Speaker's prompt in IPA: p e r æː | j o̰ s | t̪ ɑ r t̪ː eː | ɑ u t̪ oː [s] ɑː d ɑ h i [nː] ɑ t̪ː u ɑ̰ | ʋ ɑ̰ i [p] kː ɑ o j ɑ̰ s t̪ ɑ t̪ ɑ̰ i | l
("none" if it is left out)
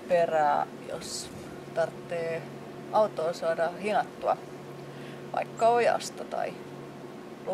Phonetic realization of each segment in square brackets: s, n, none

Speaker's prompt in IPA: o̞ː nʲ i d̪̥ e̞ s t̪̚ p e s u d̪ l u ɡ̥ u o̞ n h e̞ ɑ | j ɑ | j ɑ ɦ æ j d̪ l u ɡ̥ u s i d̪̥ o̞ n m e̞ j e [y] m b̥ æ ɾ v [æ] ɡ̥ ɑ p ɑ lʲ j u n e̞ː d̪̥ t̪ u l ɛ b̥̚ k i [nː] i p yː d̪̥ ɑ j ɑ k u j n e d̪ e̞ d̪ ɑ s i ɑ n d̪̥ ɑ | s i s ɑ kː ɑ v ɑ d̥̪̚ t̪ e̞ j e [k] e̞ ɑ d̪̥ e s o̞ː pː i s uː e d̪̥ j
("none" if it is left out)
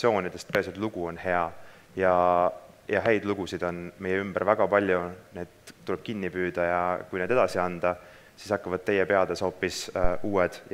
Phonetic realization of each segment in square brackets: y, æ, nː, p

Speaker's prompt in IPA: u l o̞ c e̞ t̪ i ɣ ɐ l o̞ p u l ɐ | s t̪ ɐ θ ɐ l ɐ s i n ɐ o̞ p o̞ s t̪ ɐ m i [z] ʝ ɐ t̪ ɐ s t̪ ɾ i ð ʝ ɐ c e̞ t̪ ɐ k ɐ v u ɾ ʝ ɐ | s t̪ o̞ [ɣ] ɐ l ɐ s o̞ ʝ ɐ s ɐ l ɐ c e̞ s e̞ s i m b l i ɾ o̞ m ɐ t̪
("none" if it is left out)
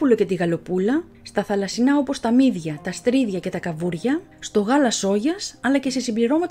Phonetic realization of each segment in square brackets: ð, ɣ

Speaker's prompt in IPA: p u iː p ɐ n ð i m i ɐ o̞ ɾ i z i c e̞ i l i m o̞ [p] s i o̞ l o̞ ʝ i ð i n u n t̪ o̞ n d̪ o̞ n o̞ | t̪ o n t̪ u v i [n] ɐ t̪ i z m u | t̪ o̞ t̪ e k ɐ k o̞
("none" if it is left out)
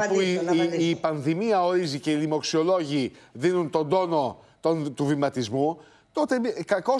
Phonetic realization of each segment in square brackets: k, m

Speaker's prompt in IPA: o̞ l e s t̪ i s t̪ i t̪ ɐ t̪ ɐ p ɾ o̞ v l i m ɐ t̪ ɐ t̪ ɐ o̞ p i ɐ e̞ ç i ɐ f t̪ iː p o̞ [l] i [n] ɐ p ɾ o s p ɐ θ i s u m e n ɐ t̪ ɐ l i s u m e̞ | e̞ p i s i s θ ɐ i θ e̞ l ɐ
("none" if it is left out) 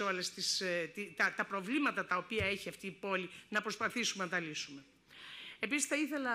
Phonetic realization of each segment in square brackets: l, n

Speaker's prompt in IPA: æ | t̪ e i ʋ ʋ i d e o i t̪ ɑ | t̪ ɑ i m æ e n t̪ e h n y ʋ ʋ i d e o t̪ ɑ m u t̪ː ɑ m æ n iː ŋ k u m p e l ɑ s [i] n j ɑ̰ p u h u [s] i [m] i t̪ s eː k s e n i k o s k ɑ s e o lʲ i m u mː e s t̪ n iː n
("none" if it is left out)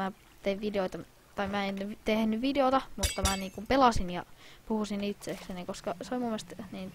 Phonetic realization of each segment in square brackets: i, s, n

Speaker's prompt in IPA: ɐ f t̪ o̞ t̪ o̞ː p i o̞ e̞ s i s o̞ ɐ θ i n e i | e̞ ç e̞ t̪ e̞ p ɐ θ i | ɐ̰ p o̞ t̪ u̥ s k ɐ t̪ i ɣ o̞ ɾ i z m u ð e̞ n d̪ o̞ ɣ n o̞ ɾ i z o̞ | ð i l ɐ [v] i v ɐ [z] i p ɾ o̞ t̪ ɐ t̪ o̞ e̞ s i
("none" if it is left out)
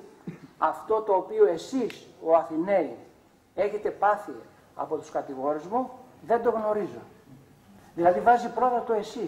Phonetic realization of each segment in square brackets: ð, z

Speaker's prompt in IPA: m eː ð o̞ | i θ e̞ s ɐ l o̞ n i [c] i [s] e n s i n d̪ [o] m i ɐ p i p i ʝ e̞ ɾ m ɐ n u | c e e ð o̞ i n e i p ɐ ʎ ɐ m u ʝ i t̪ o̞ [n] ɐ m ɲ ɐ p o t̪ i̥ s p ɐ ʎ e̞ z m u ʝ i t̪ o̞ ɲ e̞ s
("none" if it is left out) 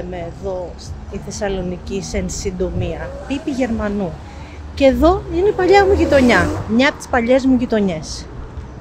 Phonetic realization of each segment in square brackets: c, s, o, ɲ

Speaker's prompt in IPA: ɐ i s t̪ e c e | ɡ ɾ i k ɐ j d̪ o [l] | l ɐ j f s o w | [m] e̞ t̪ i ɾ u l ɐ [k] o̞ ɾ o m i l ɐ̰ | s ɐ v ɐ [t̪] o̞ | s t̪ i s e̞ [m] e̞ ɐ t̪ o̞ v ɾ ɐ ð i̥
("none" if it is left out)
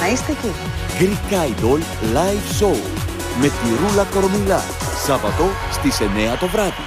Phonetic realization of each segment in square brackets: l, m, k, t̪, n

